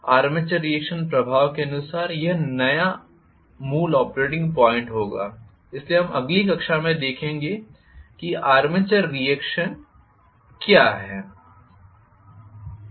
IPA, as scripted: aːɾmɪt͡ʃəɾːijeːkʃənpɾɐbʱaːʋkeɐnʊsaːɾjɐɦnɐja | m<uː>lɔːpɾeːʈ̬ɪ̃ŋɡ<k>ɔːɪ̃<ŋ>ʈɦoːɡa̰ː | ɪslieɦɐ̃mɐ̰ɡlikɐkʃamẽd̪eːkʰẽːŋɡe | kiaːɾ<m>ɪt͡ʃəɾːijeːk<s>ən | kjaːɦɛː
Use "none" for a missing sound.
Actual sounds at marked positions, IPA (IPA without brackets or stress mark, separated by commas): uː, p, ɳ, m, ʃ